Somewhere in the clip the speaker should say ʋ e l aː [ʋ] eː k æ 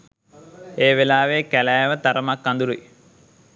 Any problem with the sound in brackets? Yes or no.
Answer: no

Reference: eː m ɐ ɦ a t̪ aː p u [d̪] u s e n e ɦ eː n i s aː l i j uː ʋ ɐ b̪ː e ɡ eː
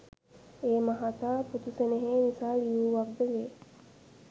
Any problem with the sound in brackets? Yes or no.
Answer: yes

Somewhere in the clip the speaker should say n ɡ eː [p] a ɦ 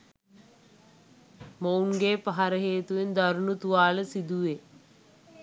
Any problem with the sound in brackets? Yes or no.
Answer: no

